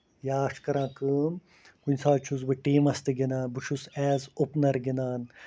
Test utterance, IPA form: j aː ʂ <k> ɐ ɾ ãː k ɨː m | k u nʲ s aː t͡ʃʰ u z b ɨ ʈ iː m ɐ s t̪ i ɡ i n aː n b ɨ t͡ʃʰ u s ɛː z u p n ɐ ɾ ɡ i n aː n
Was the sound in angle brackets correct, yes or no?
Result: yes